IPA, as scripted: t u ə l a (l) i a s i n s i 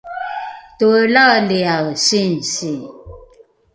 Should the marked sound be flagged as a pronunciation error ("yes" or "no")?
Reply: no